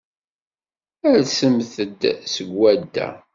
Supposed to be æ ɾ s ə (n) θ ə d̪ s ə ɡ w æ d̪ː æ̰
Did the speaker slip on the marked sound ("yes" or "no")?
yes